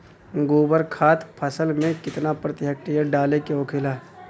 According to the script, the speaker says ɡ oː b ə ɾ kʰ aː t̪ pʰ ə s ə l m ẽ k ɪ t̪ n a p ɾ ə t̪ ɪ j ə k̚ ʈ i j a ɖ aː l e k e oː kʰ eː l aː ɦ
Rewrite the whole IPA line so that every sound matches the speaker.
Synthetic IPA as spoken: ɡ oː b ə ɾ kʰ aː t̪ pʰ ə s ə l m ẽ k ɪ t̪ n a p ɾ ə t̪ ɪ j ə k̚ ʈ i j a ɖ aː l e k e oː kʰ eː l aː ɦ